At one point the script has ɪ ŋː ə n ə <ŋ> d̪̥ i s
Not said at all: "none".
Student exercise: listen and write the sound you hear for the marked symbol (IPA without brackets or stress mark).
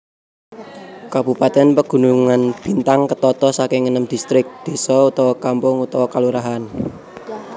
m